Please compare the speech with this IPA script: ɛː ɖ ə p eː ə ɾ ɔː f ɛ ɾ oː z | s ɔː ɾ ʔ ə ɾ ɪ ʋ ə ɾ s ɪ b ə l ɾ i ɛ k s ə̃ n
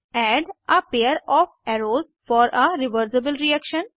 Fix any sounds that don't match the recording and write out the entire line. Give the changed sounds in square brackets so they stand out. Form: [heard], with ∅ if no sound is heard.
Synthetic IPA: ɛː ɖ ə p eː ə ɾ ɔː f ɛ ɾ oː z | [f] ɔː ɾ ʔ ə ɾ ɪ ʋ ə ɾ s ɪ b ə l ɾ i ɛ k [ʃ] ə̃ n